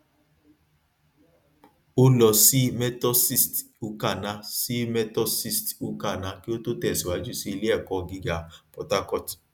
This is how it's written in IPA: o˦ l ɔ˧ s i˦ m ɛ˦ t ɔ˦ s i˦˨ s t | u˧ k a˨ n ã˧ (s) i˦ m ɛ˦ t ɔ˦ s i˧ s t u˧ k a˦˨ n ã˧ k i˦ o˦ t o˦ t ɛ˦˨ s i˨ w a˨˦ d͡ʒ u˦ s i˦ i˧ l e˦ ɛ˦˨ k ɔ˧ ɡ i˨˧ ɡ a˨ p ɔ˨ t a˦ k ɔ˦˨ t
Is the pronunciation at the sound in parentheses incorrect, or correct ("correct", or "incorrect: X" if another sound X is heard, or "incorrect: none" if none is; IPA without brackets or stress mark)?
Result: correct